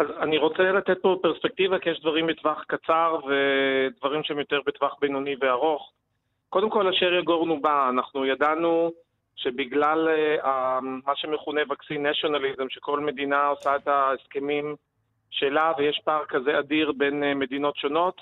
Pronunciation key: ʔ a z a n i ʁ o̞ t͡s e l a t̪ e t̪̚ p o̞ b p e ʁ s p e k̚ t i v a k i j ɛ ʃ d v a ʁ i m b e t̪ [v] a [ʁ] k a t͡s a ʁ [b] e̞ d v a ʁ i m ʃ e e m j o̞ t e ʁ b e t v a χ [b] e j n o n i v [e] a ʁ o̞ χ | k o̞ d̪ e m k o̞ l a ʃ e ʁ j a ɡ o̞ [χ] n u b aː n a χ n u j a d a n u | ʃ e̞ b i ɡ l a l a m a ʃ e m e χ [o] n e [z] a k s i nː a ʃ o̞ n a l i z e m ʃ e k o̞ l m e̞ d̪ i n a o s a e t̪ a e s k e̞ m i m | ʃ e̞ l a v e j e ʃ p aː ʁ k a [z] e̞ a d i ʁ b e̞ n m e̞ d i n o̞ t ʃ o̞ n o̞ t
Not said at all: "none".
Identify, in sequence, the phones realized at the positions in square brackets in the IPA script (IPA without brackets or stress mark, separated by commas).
v, χ, v, b, e, ʁ, u, v, z